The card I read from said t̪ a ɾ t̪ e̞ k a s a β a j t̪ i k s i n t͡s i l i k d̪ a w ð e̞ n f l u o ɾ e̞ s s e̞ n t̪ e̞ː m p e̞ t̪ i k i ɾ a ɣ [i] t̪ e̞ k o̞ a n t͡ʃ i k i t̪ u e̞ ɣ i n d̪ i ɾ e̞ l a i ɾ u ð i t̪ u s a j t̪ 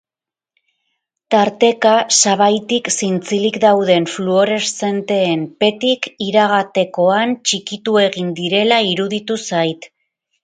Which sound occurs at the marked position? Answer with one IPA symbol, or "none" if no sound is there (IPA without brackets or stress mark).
a